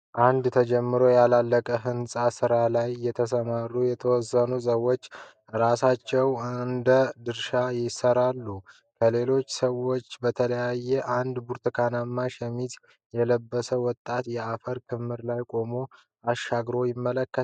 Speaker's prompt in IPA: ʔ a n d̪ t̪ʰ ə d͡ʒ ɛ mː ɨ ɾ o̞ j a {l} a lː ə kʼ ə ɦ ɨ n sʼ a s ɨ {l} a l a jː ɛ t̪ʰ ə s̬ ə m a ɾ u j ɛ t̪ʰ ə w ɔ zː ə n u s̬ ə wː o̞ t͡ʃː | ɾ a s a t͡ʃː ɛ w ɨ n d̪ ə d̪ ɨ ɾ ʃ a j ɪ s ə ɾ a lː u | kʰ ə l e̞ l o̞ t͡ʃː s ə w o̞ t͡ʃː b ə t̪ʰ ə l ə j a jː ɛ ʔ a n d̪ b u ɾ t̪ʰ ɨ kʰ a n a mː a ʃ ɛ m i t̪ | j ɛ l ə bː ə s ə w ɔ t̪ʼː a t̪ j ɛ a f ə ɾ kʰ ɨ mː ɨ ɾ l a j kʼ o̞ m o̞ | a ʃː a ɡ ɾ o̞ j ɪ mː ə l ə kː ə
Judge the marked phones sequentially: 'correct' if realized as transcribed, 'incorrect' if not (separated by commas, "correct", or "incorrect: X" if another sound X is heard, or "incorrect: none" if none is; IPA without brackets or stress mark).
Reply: correct, incorrect: ɾ